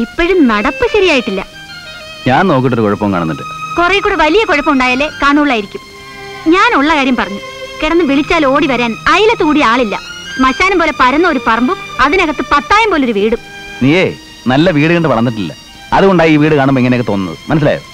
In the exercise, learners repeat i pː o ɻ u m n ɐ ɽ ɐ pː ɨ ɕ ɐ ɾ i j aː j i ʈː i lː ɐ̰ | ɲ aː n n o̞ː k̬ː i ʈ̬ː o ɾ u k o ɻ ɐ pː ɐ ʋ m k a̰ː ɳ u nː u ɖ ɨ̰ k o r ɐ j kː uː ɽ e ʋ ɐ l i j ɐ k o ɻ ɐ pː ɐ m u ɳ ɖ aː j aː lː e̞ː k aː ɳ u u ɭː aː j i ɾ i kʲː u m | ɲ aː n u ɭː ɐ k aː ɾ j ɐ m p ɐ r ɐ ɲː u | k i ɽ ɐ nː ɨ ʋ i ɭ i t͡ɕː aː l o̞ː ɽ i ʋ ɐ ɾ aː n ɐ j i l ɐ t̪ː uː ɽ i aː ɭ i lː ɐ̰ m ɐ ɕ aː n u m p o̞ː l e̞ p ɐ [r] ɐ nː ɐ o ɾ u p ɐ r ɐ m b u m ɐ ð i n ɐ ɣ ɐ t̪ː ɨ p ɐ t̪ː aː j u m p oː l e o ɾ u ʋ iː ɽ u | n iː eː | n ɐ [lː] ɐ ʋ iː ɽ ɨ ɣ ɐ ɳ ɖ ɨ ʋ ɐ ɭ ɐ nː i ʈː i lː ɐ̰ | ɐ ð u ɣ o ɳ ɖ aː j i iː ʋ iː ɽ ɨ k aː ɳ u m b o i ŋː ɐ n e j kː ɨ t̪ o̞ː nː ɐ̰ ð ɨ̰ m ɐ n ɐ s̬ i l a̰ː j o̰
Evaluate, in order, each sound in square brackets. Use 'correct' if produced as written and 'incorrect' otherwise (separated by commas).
incorrect, correct